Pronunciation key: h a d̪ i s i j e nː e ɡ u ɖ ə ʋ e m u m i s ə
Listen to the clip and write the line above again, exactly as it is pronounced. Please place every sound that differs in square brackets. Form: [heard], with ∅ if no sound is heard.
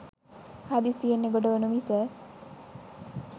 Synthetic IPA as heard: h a d̪ i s i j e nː e ɡ [o] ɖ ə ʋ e [n] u m i s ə